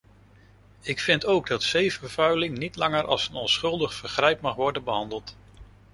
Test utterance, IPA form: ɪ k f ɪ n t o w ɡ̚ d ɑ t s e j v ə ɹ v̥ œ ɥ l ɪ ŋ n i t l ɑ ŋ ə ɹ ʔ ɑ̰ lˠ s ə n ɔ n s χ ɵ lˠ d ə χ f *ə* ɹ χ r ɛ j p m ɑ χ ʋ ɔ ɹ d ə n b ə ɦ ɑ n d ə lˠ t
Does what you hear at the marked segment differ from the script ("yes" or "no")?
no